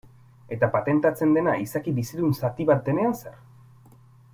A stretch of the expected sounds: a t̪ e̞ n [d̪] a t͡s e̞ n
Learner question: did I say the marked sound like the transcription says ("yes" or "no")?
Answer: no